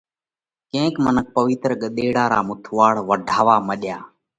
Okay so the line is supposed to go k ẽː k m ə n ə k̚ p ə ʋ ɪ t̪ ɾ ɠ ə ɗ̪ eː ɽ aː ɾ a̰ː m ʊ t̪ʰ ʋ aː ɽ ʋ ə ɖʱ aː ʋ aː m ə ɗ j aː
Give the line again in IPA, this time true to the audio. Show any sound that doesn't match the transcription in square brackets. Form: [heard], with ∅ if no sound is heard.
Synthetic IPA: k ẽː k m ə n ə k̚ p ə ʋ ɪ t̪ ɾ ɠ ə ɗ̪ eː ɽ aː ɾ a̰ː m ʊ t̪ʰ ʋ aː ɽ ʋ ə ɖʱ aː ʋ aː m ə ɗ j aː